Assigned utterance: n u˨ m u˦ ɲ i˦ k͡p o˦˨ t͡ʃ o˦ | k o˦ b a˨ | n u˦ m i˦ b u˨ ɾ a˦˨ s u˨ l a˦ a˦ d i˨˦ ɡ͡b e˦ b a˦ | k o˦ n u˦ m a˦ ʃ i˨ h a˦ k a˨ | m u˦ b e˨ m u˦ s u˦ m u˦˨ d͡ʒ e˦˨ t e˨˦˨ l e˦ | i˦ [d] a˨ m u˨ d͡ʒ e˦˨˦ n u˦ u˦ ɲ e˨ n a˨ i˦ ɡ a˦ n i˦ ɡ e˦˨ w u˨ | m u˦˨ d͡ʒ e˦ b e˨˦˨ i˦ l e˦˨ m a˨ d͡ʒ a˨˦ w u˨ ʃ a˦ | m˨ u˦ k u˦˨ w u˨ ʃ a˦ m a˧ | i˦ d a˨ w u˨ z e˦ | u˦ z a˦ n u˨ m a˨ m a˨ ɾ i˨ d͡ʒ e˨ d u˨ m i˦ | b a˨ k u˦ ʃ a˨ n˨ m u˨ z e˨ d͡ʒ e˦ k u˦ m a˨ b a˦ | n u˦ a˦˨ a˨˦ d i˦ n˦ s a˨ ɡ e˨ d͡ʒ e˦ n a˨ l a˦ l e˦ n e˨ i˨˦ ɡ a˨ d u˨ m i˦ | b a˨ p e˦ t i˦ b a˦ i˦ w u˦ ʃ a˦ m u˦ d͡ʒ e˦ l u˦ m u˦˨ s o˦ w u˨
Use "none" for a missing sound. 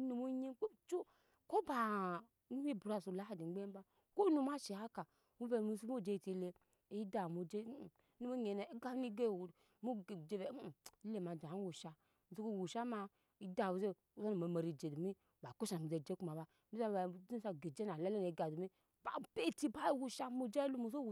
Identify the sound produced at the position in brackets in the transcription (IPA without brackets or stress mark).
d